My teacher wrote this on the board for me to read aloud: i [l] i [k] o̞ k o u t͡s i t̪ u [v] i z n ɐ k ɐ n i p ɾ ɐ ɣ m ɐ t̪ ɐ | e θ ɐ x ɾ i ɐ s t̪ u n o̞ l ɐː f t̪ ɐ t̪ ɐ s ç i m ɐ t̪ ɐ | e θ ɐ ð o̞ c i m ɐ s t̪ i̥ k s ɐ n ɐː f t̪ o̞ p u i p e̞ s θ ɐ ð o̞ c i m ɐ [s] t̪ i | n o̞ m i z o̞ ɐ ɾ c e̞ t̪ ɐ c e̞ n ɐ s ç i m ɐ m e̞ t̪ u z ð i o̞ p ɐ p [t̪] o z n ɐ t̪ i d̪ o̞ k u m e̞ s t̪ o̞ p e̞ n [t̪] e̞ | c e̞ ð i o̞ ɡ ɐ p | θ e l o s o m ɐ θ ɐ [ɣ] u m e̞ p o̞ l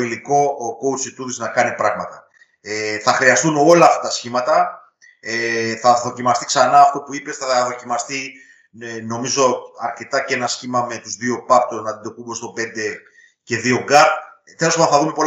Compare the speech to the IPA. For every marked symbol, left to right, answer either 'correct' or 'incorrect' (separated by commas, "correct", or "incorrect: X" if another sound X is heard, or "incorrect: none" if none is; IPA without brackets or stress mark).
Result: correct, correct, incorrect: ð, correct, correct, incorrect: d̪, incorrect: ð